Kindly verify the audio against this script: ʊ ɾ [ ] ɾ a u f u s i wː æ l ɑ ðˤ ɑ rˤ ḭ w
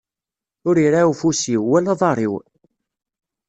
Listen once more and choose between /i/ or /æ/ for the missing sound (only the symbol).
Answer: i